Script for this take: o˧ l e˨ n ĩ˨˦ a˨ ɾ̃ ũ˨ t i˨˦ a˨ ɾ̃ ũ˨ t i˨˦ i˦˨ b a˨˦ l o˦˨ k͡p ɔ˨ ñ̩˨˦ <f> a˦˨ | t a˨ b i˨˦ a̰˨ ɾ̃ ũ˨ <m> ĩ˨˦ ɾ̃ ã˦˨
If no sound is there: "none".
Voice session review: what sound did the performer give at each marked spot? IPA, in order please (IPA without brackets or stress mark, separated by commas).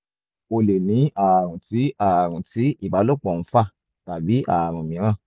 f, m